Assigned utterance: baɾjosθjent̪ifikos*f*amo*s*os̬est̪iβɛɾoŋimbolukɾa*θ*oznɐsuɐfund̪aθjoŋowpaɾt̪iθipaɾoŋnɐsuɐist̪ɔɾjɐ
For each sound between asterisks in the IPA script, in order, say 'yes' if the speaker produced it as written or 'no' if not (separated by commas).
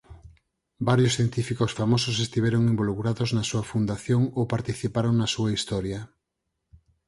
yes, yes, no